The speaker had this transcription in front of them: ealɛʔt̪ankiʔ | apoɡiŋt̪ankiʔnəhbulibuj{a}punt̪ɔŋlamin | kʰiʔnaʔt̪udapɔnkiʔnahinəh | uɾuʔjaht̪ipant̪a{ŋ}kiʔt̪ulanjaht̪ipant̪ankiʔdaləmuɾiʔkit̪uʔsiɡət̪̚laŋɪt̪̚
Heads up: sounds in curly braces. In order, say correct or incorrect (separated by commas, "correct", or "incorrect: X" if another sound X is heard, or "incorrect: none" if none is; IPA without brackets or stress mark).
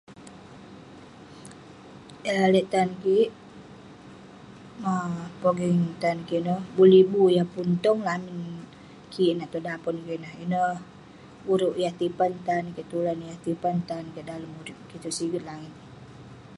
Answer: correct, incorrect: n